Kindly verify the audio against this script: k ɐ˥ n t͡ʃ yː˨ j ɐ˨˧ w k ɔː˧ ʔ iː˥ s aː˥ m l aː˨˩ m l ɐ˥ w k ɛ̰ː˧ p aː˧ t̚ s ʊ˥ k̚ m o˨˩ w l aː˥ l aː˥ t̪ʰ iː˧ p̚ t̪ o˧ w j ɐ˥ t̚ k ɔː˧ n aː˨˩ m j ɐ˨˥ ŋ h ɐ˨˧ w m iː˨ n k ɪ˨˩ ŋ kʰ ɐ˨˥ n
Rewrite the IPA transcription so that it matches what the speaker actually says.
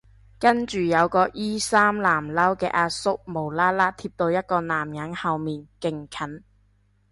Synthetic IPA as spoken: k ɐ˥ n t͡ʃ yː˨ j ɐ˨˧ w k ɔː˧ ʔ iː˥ s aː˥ m l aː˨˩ m l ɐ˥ w k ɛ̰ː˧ ʔ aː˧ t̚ s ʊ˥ k̚ m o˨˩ w l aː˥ l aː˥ t̪ʰ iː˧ p̚ t̪ o˧ w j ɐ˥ t̚ k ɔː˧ n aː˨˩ m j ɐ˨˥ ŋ h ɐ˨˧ w m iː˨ n k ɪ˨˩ ŋ kʰ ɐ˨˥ n

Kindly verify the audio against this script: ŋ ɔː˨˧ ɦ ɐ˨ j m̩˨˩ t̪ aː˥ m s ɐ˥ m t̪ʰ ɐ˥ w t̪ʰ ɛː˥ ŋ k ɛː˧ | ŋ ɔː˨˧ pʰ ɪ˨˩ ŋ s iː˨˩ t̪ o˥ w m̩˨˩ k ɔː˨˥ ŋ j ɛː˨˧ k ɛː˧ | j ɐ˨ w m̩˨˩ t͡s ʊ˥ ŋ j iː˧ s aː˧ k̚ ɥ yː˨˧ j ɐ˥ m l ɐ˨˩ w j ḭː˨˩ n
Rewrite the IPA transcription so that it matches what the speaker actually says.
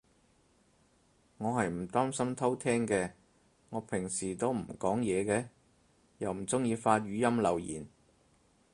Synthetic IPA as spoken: ŋ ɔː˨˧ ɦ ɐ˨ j m̩˨˩ t̪ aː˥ m s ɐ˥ m t̪ʰ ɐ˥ w t̪ʰ ɛː˥ ŋ k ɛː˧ | ŋ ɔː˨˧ pʰ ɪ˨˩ ŋ s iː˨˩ t̪ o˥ w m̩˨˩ k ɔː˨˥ ŋ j ɛː˨˧ k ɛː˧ | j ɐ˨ w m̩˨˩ t͡s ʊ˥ ŋ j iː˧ f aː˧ t̚ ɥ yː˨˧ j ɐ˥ m l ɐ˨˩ w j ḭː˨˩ n

